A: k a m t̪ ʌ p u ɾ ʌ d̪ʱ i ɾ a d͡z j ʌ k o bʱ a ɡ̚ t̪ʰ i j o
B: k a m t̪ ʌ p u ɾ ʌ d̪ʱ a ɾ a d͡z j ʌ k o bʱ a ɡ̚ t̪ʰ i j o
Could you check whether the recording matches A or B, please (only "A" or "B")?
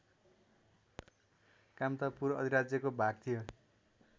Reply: A